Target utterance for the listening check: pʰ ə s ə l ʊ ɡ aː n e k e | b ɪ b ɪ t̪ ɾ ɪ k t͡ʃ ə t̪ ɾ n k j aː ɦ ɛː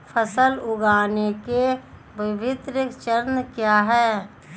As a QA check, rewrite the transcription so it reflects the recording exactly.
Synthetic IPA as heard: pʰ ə s ə l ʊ ɡ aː n e k e | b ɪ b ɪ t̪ ɾ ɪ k t͡ʃ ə ɾ n k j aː ɦ ɛː